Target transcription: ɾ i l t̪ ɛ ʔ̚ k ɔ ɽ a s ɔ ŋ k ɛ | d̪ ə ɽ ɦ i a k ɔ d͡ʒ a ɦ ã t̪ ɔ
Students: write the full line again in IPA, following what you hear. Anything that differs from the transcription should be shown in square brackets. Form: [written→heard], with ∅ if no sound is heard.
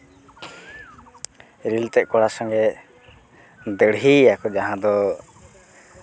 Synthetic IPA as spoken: ɾ i l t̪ ɛ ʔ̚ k ɔ ɽ a s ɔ ŋ [k→ɡ] ɛ | d̪ ə ɽ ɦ i a k ɔ d͡ʒ a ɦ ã [t̪→d̪] ɔ